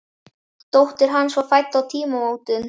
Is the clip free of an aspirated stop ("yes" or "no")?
no